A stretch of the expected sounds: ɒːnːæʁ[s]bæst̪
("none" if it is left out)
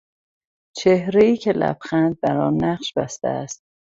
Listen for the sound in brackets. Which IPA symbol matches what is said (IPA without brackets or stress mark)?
ʃ